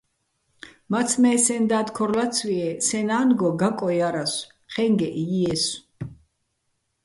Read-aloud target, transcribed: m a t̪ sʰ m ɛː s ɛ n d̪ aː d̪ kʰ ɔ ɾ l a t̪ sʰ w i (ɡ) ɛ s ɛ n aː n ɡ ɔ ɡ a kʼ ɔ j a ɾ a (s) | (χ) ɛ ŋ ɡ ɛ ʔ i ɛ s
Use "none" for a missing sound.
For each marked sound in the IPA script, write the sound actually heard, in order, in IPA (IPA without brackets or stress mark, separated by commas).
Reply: none, s, χ